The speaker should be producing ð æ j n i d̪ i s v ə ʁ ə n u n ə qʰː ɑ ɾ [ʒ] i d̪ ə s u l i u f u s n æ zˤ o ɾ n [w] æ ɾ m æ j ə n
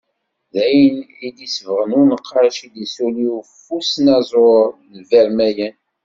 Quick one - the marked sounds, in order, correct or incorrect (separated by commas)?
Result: incorrect, incorrect